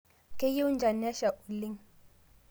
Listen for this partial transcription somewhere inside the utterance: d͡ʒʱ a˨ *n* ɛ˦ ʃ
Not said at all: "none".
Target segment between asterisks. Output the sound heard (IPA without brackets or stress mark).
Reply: n